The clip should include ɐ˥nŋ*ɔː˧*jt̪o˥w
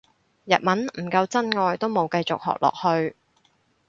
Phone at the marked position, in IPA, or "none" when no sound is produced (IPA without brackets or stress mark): ɔː˧